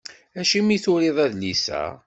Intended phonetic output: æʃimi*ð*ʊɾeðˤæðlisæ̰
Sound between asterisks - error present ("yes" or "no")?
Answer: yes